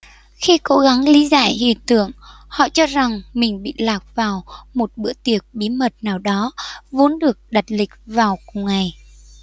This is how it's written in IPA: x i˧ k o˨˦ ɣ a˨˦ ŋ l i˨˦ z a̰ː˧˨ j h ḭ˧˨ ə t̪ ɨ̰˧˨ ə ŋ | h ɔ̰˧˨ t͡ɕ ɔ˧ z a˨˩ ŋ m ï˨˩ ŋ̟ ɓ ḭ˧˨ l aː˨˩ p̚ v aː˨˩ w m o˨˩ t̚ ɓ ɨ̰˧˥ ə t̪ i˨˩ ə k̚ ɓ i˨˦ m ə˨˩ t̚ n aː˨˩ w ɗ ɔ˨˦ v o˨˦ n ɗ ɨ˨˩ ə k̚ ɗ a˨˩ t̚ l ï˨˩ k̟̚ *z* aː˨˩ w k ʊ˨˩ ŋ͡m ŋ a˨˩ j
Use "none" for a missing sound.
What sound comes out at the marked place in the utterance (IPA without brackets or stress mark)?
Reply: v